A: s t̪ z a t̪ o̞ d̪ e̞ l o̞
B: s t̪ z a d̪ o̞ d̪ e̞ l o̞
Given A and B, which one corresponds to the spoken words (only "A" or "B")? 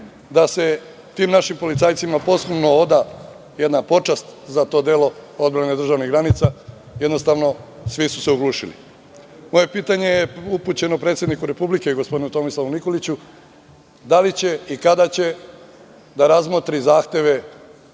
A